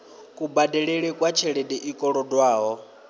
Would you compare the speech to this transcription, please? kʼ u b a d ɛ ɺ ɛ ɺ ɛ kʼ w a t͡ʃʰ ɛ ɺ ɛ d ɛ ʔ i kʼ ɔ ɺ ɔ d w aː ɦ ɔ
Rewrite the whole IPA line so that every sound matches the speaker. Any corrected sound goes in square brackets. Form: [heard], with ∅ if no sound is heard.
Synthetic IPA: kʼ u b a d ɛ ɺ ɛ ɺ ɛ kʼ w a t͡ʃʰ ɛ ɺ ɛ d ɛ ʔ i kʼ ɔ ɺ ɔ d w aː ɦ ɔ